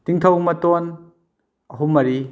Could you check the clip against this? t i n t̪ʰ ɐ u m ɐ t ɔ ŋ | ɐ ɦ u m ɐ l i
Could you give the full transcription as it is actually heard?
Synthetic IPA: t i ŋ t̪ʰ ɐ w m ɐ t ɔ n | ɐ ɦ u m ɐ ɾ i